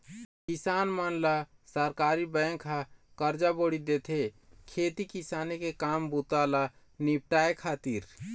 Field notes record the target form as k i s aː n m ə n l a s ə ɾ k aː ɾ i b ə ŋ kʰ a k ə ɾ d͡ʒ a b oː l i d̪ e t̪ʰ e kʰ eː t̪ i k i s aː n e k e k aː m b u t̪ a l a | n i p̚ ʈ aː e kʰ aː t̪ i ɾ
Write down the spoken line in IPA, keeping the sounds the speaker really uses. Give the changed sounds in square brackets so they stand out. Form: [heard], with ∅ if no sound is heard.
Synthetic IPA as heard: k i s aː n m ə n l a s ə ɾ k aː ɾ i b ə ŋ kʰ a k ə ɾ d͡ʒ a b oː [ɽ] i d̪ e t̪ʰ e kʰ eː t̪ i k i s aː n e k e k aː m b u t̪ a l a | n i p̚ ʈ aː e kʰ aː t̪ i ɾ